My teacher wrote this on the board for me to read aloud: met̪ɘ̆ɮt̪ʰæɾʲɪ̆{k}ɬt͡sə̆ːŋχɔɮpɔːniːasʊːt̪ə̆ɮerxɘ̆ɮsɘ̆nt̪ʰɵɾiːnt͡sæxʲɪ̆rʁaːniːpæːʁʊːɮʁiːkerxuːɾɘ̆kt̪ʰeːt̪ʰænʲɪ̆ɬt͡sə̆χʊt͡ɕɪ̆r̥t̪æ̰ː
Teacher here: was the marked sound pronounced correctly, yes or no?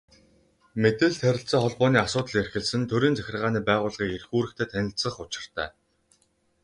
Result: no